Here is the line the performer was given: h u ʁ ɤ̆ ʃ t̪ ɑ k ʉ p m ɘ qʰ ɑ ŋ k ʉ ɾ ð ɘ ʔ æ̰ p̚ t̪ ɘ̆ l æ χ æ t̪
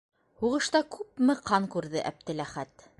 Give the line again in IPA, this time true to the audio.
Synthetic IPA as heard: h u ʁ ɤ̆ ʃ t̪ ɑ k ʉ p m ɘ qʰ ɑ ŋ k ʉ ɾ ð ɘ ʔ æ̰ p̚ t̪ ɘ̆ l æ χ æ t̪